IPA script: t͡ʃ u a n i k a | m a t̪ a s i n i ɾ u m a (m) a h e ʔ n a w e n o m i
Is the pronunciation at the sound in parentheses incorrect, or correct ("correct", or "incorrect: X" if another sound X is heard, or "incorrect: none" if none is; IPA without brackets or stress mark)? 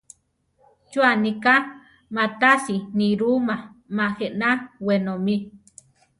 correct